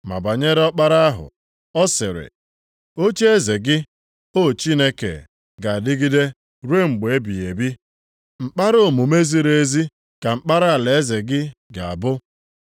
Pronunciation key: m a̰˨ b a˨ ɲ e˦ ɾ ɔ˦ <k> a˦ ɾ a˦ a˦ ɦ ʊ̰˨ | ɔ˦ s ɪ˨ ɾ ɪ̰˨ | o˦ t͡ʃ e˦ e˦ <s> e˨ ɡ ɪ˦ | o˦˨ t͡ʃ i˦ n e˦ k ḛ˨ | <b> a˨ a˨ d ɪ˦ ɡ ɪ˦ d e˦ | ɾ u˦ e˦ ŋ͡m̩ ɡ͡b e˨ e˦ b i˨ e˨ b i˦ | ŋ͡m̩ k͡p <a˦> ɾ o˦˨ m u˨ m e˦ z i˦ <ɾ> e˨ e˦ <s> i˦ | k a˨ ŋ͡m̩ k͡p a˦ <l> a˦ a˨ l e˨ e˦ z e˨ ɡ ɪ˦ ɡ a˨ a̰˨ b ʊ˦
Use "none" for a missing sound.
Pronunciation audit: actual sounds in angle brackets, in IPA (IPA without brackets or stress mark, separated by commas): k͡p, z, ɡ, a˦, ɾ, z, ɾ